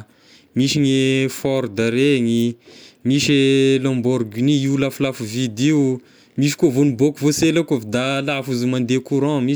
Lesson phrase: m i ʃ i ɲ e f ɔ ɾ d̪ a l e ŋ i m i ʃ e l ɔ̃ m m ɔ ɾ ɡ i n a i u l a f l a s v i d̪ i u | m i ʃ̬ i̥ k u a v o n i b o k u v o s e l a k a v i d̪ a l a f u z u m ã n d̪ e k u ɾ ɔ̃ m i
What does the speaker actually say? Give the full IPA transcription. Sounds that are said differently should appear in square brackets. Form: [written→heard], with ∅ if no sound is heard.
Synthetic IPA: m i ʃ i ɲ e f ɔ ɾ d̪ a [l→ɾ] e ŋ i m i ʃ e l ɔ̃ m [m→b] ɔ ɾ ɡ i n [a→i] i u l a f l a [s→f] v i d̪ i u | m i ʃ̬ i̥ k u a v o n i b o k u v o s e l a k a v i d̪ a l a f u z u m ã n d̪ e k u ɾ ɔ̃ m i